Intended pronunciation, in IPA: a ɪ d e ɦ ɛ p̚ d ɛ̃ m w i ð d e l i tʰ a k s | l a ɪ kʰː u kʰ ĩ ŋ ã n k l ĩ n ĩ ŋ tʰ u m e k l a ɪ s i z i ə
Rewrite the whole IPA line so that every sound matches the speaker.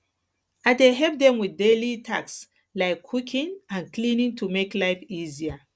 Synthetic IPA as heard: a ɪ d e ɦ ɛ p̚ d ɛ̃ m w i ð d e l i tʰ a k s | l a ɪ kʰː u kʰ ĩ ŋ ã n k l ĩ n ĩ ŋ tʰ u m e k l a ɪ f i z i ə